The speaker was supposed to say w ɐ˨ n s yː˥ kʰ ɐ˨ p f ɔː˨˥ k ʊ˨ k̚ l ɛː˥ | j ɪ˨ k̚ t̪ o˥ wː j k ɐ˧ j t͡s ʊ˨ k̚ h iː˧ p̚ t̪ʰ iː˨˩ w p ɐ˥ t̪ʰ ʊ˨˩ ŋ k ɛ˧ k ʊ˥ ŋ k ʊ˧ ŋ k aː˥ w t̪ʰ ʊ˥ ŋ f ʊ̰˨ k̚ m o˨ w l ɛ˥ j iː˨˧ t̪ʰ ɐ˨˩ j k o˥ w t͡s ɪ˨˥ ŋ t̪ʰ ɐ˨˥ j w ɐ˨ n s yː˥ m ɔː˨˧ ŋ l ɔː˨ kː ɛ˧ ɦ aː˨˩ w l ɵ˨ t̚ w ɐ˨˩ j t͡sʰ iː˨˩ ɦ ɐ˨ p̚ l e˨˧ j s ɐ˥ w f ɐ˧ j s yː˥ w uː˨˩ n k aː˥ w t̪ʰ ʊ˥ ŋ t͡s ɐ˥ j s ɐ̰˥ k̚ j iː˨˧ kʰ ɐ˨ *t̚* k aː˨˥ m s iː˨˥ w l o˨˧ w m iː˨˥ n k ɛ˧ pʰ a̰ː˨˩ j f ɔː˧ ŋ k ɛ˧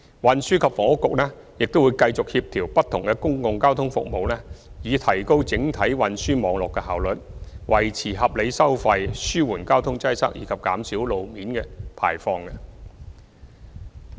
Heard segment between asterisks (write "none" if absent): p̚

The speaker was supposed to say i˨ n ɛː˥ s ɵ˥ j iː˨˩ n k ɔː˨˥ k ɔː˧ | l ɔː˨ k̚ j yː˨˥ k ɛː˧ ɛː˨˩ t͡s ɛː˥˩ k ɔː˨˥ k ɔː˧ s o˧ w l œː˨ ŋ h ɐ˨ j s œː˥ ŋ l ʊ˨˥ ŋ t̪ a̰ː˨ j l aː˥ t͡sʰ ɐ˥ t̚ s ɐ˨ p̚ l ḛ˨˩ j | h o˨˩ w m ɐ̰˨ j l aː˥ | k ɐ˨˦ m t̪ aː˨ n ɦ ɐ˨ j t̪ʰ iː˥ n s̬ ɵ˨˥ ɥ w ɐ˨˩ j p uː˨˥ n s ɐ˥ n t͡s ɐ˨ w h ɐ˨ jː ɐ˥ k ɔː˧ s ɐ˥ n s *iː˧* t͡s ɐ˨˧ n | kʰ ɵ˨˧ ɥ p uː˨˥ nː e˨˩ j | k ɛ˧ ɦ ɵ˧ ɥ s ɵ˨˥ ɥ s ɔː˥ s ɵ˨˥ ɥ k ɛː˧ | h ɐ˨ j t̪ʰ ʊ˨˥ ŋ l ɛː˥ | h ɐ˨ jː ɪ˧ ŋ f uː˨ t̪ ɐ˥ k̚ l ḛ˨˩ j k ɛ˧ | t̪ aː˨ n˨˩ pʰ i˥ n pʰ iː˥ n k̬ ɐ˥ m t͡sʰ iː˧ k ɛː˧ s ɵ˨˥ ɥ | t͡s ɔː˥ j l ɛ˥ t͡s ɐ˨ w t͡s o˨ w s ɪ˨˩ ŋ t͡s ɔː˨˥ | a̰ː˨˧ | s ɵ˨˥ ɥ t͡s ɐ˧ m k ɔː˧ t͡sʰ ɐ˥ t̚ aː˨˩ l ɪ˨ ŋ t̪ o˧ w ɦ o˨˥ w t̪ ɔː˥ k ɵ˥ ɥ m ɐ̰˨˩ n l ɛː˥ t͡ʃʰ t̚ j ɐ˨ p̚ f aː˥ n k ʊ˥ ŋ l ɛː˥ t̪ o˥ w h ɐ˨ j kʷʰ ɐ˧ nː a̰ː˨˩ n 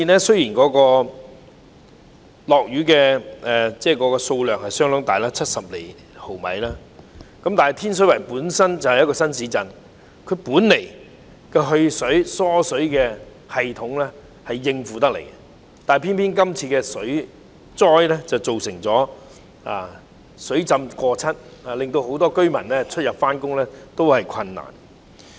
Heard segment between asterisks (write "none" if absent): iː˨˥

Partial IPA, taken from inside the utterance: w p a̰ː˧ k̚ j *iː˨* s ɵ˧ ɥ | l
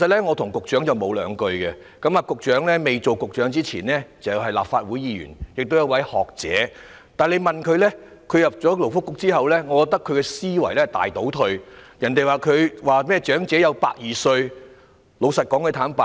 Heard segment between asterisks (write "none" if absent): iː˨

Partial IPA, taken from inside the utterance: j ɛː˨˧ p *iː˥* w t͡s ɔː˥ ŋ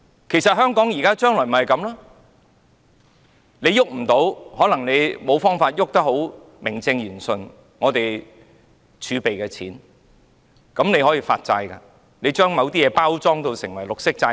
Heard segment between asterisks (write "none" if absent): aː˥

